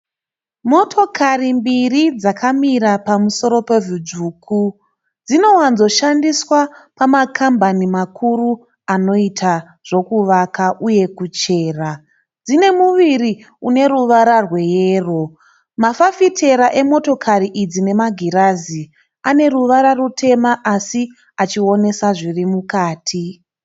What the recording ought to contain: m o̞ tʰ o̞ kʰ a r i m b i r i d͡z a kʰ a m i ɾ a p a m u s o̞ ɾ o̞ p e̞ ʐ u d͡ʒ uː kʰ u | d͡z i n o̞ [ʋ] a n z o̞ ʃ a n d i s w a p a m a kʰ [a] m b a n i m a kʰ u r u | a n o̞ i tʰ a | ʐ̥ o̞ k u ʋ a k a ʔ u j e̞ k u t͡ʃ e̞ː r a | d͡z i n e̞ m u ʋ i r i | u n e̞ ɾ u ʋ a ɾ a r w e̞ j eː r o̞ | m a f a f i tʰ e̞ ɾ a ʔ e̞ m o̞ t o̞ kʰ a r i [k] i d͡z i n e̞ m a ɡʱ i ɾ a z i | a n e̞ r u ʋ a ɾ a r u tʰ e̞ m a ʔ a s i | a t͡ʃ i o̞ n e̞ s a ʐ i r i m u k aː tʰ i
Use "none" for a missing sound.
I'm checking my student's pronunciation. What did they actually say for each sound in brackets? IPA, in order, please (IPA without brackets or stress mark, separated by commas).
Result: w, a, ʔ